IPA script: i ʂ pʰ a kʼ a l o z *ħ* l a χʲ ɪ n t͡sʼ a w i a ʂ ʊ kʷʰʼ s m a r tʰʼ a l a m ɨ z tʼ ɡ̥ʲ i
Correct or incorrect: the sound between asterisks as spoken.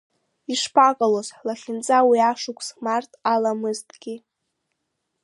correct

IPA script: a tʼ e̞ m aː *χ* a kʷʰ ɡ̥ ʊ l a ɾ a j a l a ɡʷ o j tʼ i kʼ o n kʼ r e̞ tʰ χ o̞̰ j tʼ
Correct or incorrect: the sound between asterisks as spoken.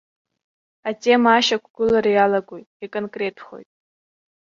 incorrect: ʃ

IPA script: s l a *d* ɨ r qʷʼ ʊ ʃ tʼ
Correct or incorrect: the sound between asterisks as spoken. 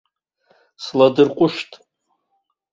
correct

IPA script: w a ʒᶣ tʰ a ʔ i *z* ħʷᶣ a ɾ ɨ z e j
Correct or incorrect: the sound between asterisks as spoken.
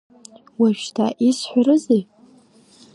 incorrect: s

